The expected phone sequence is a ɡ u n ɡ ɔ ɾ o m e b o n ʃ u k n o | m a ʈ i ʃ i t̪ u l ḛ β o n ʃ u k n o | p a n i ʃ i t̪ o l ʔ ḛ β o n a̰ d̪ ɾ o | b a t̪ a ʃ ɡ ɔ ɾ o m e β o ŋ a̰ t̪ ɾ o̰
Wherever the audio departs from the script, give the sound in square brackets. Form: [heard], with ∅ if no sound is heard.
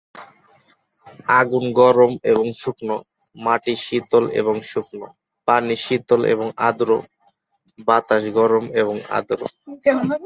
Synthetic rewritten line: a ɡ u n ɡ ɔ ɾ o m e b o [ŋ] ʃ u k n o | m a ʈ i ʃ i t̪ [o] l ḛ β o [ŋ] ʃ u k n o | p a n i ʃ i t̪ o l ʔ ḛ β o [ŋ] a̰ d̪ ɾ o | b a t̪ a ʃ ɡ ɔ ɾ o m e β o ŋ a̰ [d̪] ɾ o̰